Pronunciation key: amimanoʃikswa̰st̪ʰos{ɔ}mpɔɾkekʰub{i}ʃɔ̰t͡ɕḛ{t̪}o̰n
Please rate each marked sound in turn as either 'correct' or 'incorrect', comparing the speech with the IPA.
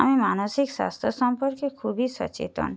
correct, correct, correct

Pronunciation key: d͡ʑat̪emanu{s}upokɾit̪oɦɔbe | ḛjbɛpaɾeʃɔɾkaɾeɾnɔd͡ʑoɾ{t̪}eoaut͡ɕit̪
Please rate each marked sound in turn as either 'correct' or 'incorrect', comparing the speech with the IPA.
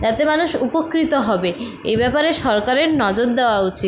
incorrect: ʃ, incorrect: d̪

